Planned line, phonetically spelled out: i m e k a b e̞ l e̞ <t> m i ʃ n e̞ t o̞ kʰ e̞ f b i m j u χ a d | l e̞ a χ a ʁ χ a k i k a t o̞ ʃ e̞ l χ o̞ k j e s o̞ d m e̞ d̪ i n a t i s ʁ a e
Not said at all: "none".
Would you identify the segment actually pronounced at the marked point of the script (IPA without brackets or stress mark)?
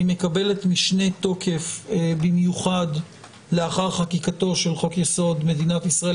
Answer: t